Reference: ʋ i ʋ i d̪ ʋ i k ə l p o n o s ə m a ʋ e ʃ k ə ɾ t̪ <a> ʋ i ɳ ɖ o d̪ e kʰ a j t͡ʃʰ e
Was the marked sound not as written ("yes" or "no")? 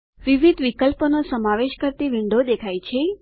yes